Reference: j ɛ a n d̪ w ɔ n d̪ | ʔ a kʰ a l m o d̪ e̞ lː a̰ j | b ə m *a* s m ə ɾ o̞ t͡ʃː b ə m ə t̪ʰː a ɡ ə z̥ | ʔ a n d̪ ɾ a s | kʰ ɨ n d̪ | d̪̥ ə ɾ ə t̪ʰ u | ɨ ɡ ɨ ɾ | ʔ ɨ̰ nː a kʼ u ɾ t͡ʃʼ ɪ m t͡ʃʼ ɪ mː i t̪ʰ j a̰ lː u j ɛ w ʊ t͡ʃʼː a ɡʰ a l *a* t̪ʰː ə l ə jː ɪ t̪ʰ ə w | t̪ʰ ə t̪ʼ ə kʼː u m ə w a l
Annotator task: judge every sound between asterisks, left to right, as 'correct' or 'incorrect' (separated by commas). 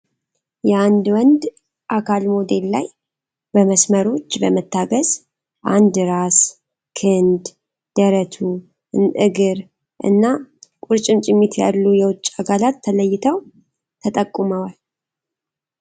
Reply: incorrect, correct